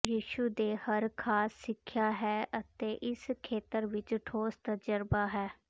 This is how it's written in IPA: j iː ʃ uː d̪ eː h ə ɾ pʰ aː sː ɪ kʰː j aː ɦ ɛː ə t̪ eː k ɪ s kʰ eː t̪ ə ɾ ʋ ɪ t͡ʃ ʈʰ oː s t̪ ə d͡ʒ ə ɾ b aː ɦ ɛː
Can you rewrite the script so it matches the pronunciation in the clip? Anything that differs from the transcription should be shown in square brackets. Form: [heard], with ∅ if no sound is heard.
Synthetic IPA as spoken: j iː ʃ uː d̪ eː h ə ɾ [kʰ] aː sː ɪ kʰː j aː ɦ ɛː ə t̪ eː [ʔ] ɪ s kʰ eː t̪ ə ɾ ʋ ɪ t͡ʃ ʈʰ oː s t̪ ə d͡ʒ ə ɾ b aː ɦ ɛː